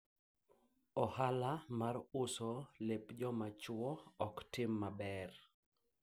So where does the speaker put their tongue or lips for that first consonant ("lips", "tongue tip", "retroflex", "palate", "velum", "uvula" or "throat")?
throat